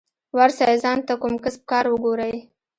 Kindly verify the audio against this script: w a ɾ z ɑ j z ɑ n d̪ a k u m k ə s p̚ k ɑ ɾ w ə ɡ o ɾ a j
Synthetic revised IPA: w a ɾ s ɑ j z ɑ n t̪ a k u m k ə s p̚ k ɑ ɾ w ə ɡ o ɾ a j